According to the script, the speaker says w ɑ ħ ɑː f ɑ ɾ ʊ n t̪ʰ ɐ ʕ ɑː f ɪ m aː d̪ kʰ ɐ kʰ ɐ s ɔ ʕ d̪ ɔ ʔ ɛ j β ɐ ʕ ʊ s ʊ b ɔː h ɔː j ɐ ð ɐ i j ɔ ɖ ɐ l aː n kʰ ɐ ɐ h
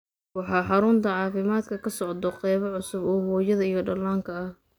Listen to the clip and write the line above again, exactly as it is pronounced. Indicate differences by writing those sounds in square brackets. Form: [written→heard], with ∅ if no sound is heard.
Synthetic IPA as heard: w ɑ ħ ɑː [f→ħ] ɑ ɾ ʊ n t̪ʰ ɐ ʕ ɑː f ɪ m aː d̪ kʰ ɐ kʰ ɐ s ɔ ʕ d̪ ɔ [ʔ→q] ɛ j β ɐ ʕ ʊ s ʊ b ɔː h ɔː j ɐ ð ɐ i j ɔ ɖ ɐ l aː [n→ŋ] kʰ ɐ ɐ h